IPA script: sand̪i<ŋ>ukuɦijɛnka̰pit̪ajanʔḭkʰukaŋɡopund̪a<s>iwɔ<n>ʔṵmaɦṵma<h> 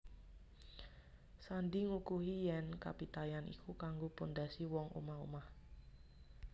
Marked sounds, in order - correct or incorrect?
correct, correct, incorrect: ŋ, correct

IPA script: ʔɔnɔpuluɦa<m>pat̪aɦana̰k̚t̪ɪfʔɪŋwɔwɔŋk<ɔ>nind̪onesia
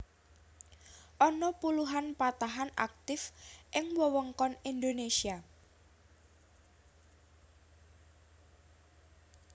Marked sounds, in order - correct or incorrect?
incorrect: n, correct

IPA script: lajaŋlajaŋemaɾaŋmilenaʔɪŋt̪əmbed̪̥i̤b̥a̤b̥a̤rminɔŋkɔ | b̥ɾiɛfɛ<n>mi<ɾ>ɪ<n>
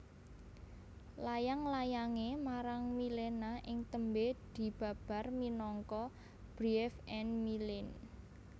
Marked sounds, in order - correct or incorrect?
correct, incorrect: l, correct

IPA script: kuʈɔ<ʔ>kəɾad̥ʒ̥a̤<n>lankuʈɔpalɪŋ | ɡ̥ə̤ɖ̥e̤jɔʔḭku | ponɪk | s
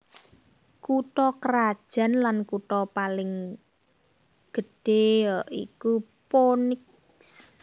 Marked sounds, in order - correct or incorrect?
incorrect: none, correct

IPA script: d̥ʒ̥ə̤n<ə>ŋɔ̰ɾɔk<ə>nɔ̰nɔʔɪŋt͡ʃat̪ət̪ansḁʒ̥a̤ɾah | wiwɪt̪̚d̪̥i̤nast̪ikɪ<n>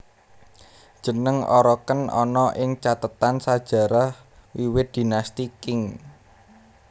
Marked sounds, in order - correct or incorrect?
correct, correct, incorrect: ŋ

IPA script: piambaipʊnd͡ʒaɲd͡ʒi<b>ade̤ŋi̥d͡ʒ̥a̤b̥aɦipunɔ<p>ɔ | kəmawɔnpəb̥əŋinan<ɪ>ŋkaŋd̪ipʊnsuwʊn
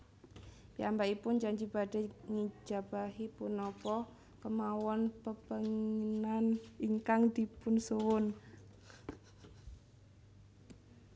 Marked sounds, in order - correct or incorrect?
correct, correct, incorrect: i

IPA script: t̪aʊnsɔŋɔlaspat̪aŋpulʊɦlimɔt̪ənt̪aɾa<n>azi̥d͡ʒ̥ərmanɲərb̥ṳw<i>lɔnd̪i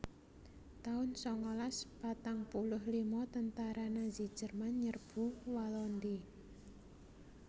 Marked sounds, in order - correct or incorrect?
correct, incorrect: a

